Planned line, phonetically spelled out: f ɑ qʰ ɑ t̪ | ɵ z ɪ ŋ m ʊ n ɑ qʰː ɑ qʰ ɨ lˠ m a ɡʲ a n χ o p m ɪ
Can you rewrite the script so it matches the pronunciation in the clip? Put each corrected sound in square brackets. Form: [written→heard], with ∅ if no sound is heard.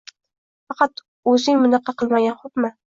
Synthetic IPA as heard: f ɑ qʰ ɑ t̪ | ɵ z ɪ ŋ m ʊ n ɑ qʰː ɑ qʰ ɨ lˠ m a ɡʲ a n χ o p m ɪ